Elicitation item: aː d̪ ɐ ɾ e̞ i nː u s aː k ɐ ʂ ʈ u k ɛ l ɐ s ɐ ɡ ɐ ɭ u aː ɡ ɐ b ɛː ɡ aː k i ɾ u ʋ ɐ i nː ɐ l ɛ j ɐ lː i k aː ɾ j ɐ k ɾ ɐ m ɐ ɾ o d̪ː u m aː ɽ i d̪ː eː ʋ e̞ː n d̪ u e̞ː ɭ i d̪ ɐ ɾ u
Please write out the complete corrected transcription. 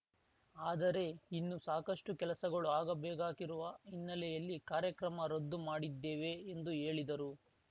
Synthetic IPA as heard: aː d̪ ɐ ɾ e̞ i nː u s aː k ɐ ʂ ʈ u k ɛ l ɐ s ɐ ɡ ɐ ɭ u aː ɡ ɐ b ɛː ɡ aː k i ɾ u ʋ ɐ i nː ɐ l ɛ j ɐ lː i k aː ɾ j ɐ k ɾ ɐ m ɐ ɾ o d̪ː u m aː ɽ i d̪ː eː ʋ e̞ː n d̪ u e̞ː ɭ i d̪ ɐ ɾ u